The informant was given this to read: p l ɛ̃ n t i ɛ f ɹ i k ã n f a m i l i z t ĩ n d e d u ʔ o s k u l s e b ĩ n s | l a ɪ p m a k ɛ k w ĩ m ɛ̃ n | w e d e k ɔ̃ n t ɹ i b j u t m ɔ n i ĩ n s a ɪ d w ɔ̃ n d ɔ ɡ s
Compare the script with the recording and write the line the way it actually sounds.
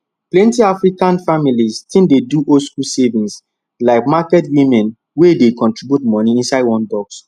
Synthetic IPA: p l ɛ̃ n t i a f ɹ i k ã n f a m i l i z t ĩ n d e d u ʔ o s k u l s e v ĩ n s | l a ɪ k m a k ɛ t w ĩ m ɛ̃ n | w e d e k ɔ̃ n t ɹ i b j u t m ɔ n i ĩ n s a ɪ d w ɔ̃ n d ɔ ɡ s